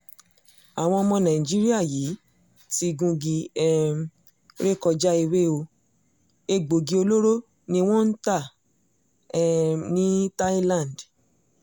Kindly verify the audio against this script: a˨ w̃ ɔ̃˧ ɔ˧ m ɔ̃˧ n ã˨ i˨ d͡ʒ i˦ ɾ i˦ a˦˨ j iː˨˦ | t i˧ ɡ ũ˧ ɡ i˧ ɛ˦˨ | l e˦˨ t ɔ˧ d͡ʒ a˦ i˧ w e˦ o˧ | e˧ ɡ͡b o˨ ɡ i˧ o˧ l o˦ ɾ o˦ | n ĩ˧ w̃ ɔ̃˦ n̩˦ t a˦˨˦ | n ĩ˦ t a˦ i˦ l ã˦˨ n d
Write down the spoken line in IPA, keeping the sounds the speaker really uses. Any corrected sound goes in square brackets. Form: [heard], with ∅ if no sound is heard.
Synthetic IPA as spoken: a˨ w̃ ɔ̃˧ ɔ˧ m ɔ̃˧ n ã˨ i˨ d͡ʒ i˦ ɾ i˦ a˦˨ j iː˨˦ | t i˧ ɡ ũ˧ ɡ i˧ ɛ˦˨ | [ɾ] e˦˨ [k] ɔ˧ d͡ʒ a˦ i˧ w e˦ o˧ | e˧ ɡ͡b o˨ ɡ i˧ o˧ l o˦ ɾ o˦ | n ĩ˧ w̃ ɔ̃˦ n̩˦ t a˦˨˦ | n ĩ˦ t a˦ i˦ l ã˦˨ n d